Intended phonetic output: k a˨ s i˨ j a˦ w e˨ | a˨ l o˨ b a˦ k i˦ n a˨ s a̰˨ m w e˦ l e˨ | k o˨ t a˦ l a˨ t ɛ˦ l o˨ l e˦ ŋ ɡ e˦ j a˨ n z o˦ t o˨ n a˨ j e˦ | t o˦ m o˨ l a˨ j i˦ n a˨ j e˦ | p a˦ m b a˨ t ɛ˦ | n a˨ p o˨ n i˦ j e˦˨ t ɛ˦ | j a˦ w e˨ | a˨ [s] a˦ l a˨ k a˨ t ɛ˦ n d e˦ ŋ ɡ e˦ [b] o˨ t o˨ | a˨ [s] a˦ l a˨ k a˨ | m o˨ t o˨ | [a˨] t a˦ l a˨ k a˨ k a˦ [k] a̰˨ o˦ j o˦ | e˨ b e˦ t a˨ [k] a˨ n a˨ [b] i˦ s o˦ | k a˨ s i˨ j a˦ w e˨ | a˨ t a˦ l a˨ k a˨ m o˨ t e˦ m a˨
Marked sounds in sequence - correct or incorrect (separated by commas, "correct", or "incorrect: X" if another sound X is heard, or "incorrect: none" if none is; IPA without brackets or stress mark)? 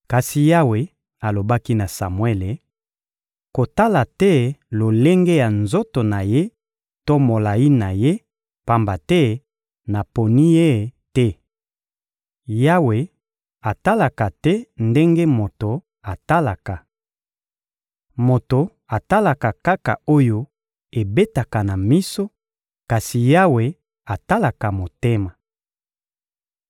incorrect: t, incorrect: m, incorrect: t, correct, correct, correct, incorrect: m